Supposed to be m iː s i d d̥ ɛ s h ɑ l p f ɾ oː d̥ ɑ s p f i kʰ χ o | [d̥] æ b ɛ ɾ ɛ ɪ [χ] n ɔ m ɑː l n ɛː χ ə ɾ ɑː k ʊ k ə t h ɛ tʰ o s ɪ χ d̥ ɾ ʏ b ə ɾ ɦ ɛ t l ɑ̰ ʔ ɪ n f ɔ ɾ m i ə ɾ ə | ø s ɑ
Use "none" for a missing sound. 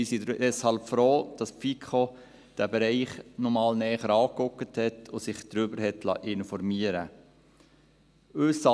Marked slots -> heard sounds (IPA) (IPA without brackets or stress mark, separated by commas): d̥, χ